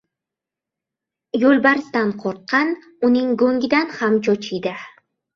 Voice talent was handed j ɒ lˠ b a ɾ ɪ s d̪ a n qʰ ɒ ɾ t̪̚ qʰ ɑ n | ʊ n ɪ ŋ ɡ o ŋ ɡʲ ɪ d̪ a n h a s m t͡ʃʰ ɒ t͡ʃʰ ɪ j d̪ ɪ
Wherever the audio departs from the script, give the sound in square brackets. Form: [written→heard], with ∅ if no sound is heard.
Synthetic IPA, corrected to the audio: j [ɒ→o] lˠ b a ɾ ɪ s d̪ a n qʰ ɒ ɾ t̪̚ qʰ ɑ n | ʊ n ɪ ŋ ɡ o ŋ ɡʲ ɪ d̪ a n h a [s→∅] m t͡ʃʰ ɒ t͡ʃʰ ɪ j d̪ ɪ